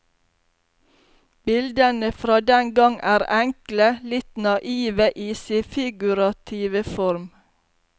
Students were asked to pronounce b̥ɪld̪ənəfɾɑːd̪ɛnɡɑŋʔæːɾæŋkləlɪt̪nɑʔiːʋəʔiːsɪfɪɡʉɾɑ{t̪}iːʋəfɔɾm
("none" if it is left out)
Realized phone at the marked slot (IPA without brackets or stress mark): t̪ʰ